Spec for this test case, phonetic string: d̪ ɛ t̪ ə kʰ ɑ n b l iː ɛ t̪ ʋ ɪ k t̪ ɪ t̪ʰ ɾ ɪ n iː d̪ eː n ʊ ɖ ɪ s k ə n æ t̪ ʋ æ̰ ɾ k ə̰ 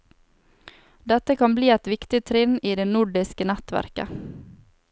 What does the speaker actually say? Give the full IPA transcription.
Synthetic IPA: d̪ ɛ t̪ ə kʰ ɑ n b l iː ɛ t̪ ʋ ɪ k t̪ ɪ t̪ʰ ɾ ɪ n iː d̪ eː n ʊ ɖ ɪ s k ə n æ t̪ ʋ æ̰ ɾ k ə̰